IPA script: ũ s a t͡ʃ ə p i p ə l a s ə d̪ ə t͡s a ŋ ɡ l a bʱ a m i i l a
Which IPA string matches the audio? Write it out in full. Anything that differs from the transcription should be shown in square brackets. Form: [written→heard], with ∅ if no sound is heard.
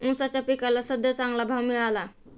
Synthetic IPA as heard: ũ s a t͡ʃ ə p i [p→k] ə l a s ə d̪ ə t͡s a ŋ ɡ l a bʱ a m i [i→a] l a

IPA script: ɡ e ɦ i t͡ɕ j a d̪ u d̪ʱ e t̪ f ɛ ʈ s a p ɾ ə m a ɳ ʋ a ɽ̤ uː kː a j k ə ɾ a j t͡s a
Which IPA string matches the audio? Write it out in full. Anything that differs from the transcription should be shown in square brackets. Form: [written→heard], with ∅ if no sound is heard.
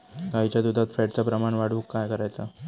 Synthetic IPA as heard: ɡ [e→a] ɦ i t͡ɕ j a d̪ u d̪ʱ [e→a] t̪ f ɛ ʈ [s→t͡s] a p ɾ ə m a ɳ ʋ a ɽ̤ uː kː a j k ə ɾ a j t͡s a

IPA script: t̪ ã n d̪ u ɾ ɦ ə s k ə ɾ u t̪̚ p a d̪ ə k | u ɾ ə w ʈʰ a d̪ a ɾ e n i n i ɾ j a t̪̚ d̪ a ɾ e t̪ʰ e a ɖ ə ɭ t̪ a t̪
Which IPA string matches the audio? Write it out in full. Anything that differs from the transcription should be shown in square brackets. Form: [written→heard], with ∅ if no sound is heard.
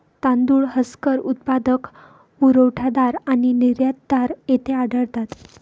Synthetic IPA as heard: t̪ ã n d̪ u [ɾ→ɭ] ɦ ə s k ə ɾ u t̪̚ p a d̪ ə k | u ɾ ə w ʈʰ a d̪ a ɾ [e→a] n i n i ɾ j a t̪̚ d̪ a ɾ e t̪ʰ e a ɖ ə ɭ t̪ a t̪

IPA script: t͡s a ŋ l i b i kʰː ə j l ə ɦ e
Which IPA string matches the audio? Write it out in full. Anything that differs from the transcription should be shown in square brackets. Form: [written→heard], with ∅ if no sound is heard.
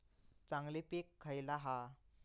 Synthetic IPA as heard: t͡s a ŋ l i [b→p] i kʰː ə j l [ə→a] ɦ [e→a]

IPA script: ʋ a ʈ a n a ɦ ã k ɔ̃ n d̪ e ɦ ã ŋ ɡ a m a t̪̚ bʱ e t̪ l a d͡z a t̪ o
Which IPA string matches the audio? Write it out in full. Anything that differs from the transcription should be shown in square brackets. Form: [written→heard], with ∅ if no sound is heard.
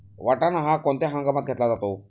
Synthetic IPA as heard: ʋ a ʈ a n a ɦ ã k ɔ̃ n [d̪→t̪] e ɦ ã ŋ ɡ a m a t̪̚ [bʱ→ɡʱ] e t̪ l a d͡z a t̪ o

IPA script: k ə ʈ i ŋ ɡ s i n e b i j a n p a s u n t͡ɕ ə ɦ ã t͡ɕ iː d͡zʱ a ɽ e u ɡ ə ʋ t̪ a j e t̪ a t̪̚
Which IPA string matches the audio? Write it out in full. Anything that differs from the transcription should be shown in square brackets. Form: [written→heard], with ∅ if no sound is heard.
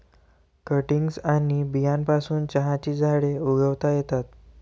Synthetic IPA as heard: k ə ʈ i ŋ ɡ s [i→a] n [e→i] b i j a n p a s [u→uː] n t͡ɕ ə ɦ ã t͡ɕ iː d͡zʱ a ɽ e u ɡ ə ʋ t̪ a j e t̪ a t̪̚

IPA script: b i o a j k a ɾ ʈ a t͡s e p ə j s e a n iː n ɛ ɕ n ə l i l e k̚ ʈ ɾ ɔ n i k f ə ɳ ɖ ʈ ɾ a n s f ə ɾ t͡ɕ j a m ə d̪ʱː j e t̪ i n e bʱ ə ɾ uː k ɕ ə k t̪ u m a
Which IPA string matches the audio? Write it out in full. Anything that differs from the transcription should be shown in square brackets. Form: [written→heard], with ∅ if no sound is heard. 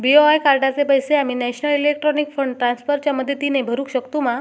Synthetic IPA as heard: b i o a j k a ɾ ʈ a t͡s e p ə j s e a [n→m] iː n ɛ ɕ n ə l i l e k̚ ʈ ɾ ɔ n i k f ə ɳ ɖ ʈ ɾ a n s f ə ɾ t͡ɕ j a m ə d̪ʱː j e t̪ i n e bʱ ə ɾ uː k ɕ ə k t̪ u m a

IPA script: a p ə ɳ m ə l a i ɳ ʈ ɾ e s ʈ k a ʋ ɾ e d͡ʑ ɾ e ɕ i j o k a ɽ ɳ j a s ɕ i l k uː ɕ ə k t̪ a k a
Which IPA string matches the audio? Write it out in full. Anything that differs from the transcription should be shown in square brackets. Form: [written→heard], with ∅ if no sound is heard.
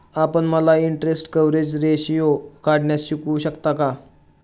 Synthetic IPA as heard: a p ə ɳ m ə l a i ɳ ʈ ɾ e s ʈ k [a→ə] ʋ ɾ e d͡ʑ ɾ e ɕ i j o k a ɽ ɳ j a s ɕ i [l→∅] k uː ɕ ə k t̪ a k a

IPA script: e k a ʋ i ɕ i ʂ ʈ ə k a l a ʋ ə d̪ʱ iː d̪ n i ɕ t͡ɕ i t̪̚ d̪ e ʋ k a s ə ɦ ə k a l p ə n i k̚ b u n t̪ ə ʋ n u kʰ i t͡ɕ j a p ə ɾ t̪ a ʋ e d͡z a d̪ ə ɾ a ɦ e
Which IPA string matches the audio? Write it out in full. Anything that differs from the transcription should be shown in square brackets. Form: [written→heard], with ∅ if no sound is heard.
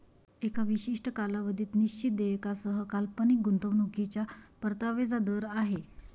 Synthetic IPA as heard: e k a ʋ i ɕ i ʂ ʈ ə k a l a ʋ ə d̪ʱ iː [d̪→t̪] n i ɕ t͡ɕ i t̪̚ d̪ e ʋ k a s ə ɦ ə k a l p ə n i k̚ [b→ɡ] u n t̪ ə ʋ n u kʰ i t͡ɕ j a p ə ɾ t̪ a ʋ e d͡z a d̪ ə ɾ a ɦ e

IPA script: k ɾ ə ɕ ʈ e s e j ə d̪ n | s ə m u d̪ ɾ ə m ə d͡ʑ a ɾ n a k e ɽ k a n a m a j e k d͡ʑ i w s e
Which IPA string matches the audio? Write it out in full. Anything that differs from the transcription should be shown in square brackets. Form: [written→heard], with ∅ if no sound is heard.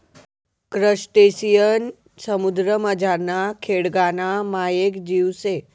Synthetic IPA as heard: k ɾ ə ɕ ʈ e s [e→i] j ə [d̪→∅] n | s ə m u d̪ ɾ ə m ə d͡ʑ a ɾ n a [k→kʰ] e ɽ [k→ɡ] a n a m a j e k d͡ʑ i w s e

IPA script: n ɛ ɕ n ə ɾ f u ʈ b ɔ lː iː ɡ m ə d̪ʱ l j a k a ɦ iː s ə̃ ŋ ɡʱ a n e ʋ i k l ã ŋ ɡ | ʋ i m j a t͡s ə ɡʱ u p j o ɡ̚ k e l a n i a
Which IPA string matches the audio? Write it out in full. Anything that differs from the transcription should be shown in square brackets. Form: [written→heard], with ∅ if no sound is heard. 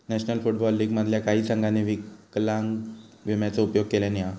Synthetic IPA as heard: n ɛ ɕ n ə [ɾ→l] f u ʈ b ɔ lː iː ɡ m ə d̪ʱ l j a k a ɦ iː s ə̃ ŋ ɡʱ a n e ʋ i k l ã ŋ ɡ | ʋ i m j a t͡s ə [ɡʱ→∅] u p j o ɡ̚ k e l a n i a

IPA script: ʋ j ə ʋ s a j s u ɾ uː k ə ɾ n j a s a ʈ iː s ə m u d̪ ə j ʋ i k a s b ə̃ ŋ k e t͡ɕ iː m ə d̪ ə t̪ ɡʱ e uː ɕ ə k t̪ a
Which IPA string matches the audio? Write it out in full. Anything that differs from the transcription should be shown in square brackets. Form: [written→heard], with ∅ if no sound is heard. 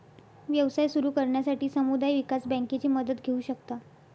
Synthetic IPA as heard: ʋ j ə ʋ s a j s u ɾ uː k ə ɾ [n→ɳ] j a s a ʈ iː s ə m u d̪ [ə→a] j ʋ i k a s b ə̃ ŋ k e t͡ɕ iː m ə d̪ ə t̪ ɡʱ e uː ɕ ə k t̪ a

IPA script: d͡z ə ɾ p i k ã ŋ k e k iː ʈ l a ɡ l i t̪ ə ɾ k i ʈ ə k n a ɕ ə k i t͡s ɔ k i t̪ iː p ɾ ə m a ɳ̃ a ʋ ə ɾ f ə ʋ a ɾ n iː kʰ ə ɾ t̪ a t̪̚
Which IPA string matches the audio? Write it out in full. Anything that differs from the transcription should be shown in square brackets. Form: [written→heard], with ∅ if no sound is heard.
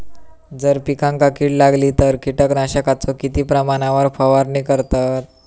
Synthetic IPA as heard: d͡z ə ɾ p i k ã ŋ k [e→a] k iː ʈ l a ɡ l i t̪ ə ɾ k i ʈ ə k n a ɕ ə k [i→a] t͡s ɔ k i t̪ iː p ɾ ə m a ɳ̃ a ʋ ə ɾ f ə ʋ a ɾ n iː [kʰ→k] ə ɾ t̪ a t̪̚

